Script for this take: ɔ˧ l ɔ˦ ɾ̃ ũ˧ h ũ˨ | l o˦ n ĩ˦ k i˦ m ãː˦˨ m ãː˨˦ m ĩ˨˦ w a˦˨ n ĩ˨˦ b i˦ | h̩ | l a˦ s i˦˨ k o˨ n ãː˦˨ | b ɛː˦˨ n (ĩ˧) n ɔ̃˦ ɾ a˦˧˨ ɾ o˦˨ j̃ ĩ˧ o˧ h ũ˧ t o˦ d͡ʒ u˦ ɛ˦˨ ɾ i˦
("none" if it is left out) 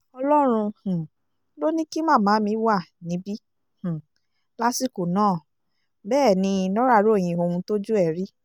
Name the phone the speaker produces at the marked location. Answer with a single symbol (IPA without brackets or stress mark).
ĩ˧